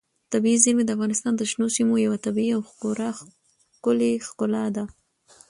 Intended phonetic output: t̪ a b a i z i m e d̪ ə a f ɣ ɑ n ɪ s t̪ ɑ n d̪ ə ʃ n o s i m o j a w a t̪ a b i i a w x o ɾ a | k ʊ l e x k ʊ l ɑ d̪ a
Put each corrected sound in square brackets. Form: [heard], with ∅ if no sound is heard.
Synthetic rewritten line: t̪ a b [i] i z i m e d̪ ə a f ɣ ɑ n ɪ s t̪ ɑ n d̪ ə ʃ n o s i m o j a w a t̪ a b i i a w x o ɾ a | k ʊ l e x k ʊ l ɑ d̪ a